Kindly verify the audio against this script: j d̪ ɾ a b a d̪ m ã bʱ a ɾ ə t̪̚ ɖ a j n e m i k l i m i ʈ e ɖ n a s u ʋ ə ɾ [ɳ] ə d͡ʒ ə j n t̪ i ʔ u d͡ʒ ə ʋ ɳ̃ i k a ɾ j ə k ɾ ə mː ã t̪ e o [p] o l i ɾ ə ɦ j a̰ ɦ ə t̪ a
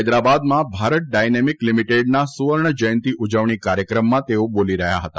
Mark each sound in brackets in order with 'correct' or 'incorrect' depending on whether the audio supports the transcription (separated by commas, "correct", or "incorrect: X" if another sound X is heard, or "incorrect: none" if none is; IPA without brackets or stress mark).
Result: correct, incorrect: b